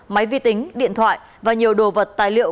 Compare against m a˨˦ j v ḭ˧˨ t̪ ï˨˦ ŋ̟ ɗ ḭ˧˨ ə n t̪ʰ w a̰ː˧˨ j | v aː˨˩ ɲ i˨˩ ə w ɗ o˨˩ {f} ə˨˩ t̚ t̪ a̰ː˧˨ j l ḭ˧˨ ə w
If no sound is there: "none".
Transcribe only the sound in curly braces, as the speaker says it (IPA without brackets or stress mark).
v